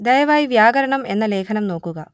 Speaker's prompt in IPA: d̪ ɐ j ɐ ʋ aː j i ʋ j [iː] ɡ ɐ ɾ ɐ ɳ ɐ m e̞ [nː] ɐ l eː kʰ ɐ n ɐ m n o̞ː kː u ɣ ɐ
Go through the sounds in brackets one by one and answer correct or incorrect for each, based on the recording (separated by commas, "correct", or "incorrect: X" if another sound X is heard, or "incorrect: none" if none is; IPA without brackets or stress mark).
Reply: incorrect: aː, correct